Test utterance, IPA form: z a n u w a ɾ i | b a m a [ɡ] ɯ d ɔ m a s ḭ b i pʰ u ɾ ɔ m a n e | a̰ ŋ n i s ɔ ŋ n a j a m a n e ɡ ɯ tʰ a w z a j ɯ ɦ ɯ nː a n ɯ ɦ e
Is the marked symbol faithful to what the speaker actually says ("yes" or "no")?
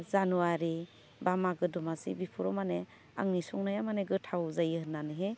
yes